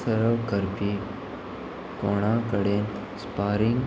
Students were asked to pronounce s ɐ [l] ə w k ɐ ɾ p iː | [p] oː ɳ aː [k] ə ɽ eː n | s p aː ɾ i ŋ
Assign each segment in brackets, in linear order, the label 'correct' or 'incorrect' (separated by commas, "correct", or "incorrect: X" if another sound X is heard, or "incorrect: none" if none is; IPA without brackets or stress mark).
incorrect: ɾ, incorrect: k, correct